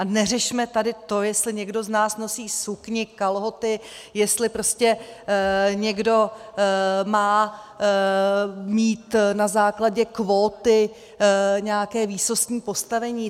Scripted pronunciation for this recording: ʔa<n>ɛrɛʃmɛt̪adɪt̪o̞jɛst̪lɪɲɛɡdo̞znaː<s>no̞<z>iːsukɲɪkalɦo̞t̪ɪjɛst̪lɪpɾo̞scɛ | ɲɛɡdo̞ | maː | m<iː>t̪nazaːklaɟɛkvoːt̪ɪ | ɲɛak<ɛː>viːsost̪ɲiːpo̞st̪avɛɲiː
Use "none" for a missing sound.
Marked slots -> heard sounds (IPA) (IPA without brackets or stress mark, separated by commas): n, s, s, iː, ɛː